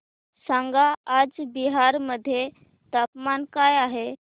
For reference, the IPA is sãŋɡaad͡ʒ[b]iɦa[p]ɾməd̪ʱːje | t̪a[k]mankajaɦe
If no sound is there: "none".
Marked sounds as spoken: b, none, p

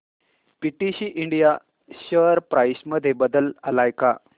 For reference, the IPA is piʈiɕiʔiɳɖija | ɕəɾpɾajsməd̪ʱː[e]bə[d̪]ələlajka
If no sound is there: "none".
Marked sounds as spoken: e, d̪

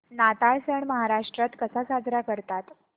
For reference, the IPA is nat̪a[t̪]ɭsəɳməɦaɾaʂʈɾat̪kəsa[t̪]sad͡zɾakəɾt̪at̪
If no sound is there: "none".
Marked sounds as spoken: none, none

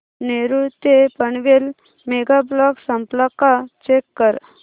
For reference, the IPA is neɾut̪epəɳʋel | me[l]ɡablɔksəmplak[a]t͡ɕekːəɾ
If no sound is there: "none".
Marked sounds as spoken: none, a

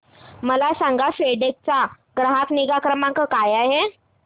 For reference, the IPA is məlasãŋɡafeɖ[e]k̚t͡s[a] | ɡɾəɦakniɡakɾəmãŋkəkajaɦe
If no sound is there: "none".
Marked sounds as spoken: e, a

